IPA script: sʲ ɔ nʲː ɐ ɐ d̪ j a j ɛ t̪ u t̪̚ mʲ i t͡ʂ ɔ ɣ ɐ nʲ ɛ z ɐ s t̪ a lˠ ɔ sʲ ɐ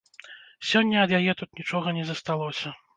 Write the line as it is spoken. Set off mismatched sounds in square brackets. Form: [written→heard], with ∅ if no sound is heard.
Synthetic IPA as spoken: sʲ ɔ nʲː ɐ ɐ d̪ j a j ɛ t̪ u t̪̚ [mʲ→nʲ] i t͡ʂ ɔ ɣ ɐ nʲ ɛ z ɐ s t̪ a lˠ ɔ sʲ ɐ